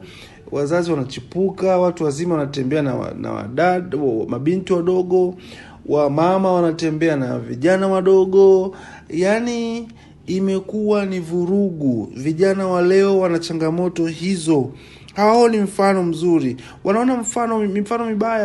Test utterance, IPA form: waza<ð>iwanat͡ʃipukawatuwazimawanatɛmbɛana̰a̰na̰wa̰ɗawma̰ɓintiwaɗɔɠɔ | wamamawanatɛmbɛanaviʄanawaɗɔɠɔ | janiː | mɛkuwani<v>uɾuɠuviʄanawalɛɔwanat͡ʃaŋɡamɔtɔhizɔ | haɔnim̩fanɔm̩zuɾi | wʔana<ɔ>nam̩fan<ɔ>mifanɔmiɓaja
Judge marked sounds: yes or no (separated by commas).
no, yes, yes, yes